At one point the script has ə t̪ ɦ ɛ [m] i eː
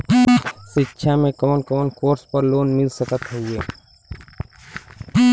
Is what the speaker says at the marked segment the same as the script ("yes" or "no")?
no